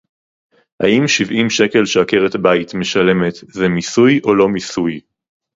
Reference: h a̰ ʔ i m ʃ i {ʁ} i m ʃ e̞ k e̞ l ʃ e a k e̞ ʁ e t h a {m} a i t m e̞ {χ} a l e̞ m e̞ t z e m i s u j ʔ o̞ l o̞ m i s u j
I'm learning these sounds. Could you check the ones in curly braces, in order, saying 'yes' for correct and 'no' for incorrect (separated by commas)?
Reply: no, no, no